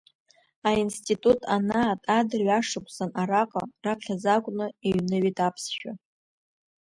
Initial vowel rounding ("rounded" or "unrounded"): unrounded